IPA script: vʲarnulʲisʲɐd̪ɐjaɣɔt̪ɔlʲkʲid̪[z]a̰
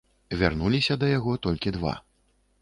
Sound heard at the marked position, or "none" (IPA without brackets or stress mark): v